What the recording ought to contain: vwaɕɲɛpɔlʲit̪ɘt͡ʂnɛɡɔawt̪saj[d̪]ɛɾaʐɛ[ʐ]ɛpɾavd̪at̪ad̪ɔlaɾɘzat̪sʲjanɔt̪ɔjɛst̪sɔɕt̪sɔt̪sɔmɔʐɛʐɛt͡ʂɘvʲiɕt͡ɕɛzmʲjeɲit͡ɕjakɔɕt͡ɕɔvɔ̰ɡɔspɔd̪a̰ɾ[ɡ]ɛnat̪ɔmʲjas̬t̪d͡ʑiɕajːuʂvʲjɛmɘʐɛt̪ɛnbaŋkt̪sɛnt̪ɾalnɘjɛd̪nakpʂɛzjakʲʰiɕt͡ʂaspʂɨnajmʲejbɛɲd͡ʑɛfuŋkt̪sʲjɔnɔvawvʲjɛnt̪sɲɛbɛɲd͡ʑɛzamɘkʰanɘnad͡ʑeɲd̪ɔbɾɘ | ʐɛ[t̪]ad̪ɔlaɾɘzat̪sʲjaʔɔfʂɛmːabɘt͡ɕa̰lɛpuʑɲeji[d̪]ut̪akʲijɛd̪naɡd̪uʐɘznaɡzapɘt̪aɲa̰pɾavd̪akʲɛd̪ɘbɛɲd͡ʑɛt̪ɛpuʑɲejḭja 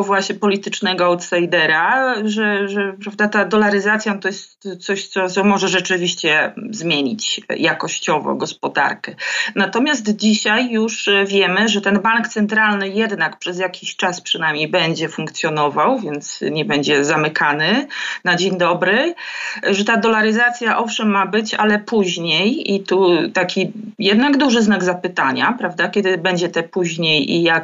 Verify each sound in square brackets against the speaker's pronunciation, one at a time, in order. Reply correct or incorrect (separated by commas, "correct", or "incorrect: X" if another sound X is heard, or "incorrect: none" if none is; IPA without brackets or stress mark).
correct, correct, incorrect: k, correct, incorrect: t̪